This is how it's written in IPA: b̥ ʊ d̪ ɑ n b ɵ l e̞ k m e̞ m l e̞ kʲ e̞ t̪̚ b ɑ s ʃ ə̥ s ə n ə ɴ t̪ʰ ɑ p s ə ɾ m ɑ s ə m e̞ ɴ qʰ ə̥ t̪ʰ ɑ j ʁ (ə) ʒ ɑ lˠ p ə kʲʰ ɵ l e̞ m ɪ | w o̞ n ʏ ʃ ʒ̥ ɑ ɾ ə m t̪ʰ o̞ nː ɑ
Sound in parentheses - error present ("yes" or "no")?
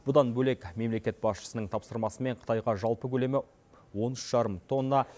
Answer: yes